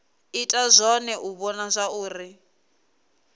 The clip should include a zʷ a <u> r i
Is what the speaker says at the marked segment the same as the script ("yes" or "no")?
no